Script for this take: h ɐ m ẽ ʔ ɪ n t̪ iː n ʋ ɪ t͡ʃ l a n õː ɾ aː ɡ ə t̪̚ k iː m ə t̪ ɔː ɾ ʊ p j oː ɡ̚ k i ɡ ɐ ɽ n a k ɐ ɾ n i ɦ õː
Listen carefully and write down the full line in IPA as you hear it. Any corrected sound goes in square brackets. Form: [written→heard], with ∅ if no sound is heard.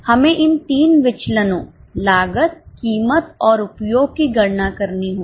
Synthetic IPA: h ɐ m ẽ ʔ ɪ n t̪ iː n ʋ ɪ t͡ʃ l [a→ə] n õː [ɾ→l] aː ɡ ə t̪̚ k iː m ə t̪ ɔː ɾ ʊ p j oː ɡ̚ k i ɡ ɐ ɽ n a k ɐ ɾ n i ɦ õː

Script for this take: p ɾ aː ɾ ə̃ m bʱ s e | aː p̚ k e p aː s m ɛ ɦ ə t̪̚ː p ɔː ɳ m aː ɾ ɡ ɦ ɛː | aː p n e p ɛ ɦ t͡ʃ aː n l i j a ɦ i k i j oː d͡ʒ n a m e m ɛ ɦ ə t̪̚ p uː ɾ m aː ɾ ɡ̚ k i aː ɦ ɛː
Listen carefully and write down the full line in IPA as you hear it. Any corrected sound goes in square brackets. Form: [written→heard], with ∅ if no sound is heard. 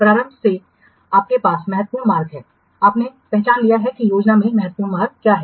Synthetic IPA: p ɾ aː ɾ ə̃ m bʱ s e | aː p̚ k e p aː s m ɛ ɦ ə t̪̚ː p [ɔː→uː] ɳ m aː ɾ ɡ ɦ ɛː | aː p n e p ɛ ɦ t͡ʃ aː n l i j a ɦ [i→ɛ] k i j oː d͡ʒ n a m [e→ẽ] m ɛ ɦ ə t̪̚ p uː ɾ m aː ɾ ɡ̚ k [i→j] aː ɦ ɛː

